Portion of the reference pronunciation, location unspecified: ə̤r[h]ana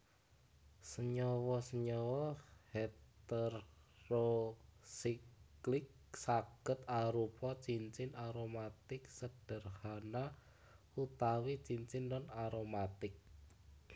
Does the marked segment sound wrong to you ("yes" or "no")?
no